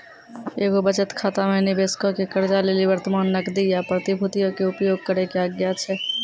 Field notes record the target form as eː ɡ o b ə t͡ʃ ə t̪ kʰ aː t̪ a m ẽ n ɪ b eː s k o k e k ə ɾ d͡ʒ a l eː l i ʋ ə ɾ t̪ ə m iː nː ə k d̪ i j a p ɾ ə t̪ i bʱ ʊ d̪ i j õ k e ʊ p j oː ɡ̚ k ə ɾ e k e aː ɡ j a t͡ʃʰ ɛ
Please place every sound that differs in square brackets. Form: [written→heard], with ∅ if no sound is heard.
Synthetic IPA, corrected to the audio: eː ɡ o b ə t͡ʃ ə t̪ kʰ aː t̪ a m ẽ n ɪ b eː s k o k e k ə ɾ d͡ʒ a l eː l i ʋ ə ɾ t̪ ə m [iː→aː] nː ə k d̪ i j a p ɾ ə t̪ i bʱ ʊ [d̪→t̪] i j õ k e ʊ p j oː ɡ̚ k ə ɾ e k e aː ɡ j a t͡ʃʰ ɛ